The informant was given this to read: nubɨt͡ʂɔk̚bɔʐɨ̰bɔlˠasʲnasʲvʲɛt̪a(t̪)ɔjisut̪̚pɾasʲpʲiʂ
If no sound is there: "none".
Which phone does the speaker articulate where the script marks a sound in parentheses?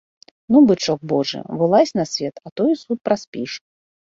t̪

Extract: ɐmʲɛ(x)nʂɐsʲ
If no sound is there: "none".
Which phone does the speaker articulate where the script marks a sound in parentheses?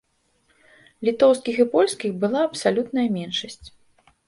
none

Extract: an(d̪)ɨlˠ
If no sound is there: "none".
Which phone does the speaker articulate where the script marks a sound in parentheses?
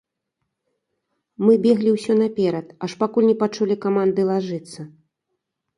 d̪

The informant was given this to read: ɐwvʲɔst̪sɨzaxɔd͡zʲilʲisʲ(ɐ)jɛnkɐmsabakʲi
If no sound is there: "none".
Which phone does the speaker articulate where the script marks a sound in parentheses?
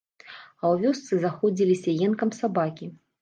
ɐ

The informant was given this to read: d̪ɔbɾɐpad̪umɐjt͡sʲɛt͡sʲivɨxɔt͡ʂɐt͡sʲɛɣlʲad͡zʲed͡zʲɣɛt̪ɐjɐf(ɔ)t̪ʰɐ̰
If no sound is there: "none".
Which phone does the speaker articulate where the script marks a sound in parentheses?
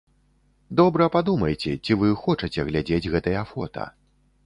ɔ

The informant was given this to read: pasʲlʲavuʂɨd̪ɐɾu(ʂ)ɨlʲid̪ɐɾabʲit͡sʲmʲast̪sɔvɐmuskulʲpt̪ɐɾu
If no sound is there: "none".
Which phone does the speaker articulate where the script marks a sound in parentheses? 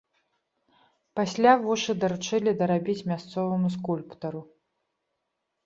t͡ʂ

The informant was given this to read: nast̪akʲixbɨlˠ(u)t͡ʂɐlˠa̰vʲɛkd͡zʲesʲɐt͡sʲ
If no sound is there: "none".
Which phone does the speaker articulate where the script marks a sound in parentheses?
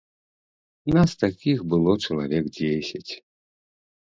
ɔ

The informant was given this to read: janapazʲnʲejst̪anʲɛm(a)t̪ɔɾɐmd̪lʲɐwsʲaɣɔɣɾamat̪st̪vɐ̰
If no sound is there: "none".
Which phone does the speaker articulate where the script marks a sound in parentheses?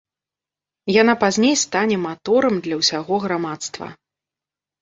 a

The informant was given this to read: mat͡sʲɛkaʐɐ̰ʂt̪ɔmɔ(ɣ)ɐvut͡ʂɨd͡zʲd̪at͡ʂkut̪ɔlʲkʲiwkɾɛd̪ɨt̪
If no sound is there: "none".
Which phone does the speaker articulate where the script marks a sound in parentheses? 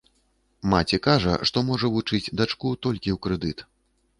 ʐ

